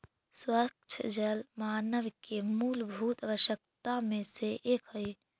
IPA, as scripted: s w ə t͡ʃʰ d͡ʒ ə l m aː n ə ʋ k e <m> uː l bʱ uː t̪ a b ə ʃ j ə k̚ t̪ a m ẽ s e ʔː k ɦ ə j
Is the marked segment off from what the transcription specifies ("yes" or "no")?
no